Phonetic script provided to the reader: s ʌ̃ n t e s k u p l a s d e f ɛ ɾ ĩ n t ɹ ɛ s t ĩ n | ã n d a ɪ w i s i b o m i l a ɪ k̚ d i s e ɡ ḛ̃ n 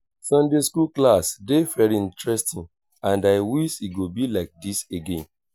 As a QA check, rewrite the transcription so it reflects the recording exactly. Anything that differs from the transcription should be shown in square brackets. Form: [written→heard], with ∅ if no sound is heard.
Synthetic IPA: s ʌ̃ n [t→d] e s k u [p→k] l a s d e f ɛ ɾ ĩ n t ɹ ɛ s t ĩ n | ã n d a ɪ w i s i [b→ɡ] o [m→b] i l a ɪ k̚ d i s e ɡ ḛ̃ n

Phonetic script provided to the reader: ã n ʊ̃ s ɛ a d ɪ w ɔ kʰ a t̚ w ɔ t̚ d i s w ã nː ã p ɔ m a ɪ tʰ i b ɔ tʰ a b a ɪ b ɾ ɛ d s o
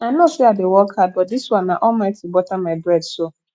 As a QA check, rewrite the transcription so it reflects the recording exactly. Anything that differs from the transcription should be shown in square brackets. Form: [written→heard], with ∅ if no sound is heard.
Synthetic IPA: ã n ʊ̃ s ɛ a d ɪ w ɔ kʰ a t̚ [w→b] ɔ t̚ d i s w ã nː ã [p→ʔ] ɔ m a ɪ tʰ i b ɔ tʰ a [b→m] a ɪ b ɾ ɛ d s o

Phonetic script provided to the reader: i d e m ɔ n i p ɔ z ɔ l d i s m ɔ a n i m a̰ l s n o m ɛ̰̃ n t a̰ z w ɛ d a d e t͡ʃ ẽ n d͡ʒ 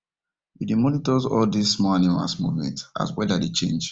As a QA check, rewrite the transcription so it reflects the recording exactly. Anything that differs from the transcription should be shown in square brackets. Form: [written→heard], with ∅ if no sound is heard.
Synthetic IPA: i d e m ɔ n i [p→t] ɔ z ɔ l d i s m ɔ a n i m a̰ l s [n→m] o m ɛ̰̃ n t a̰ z w ɛ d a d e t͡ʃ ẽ n d͡ʒ

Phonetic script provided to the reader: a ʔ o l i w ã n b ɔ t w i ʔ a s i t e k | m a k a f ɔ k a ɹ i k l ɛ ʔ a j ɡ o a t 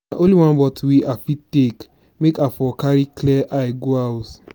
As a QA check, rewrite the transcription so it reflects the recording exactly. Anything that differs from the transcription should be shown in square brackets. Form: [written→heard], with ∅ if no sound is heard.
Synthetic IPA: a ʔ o l i w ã n b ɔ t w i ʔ a [s→f] i t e k | m [a→e] k a f ɔ k a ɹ i k l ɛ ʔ a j ɡ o a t

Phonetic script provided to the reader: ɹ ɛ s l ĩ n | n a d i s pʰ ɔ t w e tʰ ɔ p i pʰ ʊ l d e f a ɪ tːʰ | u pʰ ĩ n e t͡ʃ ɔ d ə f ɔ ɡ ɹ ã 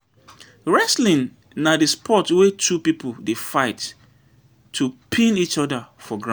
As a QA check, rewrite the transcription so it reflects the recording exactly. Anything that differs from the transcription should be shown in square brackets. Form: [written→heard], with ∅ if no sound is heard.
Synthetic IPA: ɹ ɛ s l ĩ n | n a d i s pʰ ɔ t w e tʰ [ɔ→u] p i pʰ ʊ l d e f a ɪ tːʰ | u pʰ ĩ n [e→i] t͡ʃ ɔ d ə f ɔ ɡ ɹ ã

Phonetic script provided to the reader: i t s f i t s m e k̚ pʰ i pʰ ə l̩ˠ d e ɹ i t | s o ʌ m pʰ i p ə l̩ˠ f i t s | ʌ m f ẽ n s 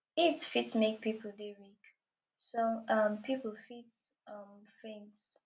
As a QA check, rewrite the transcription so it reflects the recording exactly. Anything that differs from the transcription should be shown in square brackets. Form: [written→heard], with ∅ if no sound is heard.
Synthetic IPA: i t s f i t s m e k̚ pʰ i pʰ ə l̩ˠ d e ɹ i [t→k] | s o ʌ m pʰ i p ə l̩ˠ f i t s | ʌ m f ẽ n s

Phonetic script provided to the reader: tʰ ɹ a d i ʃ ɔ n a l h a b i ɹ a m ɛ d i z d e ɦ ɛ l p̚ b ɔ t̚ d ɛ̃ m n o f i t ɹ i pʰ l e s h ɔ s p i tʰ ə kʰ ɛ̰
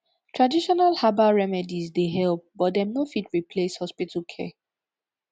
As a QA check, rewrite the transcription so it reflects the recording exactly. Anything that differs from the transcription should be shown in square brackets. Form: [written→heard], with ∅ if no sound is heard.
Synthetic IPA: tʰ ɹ a d i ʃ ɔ n a l h a b [i→a] ɹ [a→ɛ] m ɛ d i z d e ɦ ɛ l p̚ b ɔ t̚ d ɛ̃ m n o f i t ɹ i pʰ l e s h ɔ s p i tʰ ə kʰ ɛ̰

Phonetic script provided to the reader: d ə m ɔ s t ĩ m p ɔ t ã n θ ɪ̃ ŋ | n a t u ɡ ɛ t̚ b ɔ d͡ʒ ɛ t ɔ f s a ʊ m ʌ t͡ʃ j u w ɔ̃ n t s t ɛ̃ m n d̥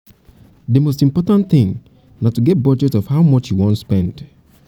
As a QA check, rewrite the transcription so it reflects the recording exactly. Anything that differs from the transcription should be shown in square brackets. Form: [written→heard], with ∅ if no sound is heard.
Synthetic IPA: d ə m [ɔ→o] s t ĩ m p ɔ t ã n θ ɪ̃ ŋ | n a t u ɡ ɛ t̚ b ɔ d͡ʒ ɛ t ɔ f [s→h] a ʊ m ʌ t͡ʃ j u w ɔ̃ n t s [t→p] ɛ̃ [m→∅] n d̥

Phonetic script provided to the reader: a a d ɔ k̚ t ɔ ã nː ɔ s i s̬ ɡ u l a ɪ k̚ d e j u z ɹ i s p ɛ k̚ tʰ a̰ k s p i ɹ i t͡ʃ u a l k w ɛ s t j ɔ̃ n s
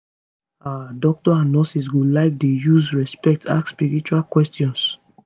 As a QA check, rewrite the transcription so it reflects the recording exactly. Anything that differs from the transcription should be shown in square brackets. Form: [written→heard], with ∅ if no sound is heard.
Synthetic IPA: a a d ɔ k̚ t ɔ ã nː ɔ s i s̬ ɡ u l a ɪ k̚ d e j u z ɹ [i→ɛ] s p ɛ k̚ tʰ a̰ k s p i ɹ i t͡ʃ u a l k w ɛ s t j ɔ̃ n s

